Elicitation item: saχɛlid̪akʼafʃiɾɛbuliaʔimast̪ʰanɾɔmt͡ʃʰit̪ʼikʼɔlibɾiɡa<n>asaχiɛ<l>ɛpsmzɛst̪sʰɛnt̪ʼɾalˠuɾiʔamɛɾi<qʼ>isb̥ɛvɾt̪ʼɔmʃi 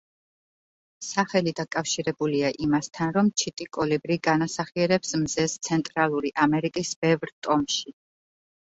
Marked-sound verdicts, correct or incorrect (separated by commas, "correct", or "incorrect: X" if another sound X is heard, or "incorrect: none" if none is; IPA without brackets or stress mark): correct, incorrect: ɾ, incorrect: kʼ